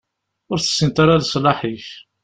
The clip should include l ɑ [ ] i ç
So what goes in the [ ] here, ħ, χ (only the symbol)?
ħ